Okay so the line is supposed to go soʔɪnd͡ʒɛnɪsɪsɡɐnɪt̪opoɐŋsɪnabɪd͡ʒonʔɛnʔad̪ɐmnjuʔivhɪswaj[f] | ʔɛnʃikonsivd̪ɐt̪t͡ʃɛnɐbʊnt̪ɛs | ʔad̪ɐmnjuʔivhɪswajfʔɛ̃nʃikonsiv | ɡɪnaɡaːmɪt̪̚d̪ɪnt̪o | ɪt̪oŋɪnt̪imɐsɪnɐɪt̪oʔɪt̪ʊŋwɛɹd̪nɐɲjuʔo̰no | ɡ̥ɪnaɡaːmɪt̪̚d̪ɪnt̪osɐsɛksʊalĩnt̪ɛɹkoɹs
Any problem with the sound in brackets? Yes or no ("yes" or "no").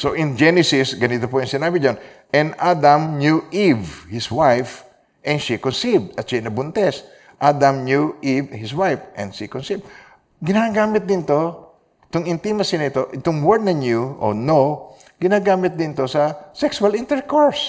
no